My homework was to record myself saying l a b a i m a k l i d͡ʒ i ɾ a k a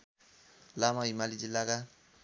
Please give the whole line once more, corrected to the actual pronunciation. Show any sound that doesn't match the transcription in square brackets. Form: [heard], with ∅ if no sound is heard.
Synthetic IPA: l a [m] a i m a [∅] l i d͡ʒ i [l] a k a

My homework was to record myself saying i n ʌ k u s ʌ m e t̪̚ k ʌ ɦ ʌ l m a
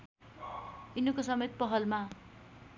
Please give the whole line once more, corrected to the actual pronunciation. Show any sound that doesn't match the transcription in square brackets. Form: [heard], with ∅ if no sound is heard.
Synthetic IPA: i n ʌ k [o] s ʌ m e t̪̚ [p] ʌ ɦ ʌ l m a

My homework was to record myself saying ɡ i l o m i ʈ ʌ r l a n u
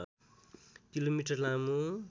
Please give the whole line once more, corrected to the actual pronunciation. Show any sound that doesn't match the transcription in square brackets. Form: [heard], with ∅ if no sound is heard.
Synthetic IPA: [k] i l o m i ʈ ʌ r l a [m] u

